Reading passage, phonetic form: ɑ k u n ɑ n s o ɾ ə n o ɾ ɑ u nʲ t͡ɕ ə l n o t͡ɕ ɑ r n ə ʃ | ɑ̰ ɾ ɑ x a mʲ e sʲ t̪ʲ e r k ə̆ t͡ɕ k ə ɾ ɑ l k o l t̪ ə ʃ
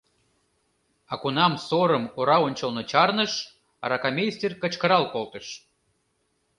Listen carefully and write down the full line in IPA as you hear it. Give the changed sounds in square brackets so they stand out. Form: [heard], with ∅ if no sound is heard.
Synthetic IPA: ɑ k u n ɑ [m] s o ɾ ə [m] o ɾ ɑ [o] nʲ t͡ɕ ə l n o t͡ɕ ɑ r n ə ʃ | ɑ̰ ɾ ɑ [k] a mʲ e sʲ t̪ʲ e r k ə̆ t͡ɕ k ə ɾ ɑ l k o l t̪ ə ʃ